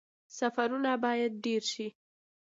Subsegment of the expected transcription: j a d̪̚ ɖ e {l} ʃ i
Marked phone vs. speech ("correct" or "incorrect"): incorrect